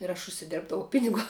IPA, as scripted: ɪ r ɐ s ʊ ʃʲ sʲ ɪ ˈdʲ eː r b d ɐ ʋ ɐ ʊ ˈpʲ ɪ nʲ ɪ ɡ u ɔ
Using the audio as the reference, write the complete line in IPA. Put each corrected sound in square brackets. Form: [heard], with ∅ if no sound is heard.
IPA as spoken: ɪ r ɐ [ʃ] ʊ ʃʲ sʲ ɪ ˈdʲ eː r b d ɐ ʋ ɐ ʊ ˈpʲ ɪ nʲ ɪ ɡ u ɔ